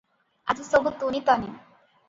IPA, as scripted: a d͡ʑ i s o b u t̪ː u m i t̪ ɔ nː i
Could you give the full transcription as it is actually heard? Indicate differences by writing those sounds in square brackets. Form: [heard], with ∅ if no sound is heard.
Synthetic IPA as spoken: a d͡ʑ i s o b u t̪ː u [n] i t̪ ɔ [n] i